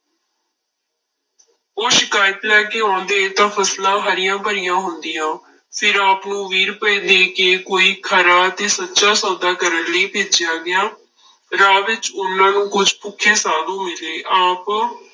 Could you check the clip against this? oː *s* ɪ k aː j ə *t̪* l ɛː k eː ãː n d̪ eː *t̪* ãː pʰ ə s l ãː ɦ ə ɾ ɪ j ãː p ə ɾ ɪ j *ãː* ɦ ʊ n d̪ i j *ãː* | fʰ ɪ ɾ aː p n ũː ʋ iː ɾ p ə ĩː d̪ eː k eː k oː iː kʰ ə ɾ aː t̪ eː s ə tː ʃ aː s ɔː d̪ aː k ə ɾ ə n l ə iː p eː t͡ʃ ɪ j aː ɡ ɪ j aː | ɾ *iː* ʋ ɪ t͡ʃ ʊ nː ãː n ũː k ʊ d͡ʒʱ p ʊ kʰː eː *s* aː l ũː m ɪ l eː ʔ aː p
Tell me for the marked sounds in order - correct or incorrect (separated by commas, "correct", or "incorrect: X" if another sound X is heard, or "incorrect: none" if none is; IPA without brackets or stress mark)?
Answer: incorrect: ʃ, correct, correct, correct, correct, incorrect: aː, correct